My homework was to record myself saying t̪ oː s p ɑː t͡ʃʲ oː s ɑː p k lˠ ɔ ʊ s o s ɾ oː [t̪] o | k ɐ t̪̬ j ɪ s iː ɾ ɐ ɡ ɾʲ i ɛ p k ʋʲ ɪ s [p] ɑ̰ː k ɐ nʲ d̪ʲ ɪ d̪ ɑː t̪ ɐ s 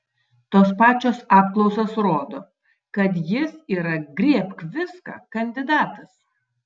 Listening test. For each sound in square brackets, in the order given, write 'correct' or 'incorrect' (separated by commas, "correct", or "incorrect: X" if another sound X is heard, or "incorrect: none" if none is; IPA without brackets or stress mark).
incorrect: d̪, incorrect: k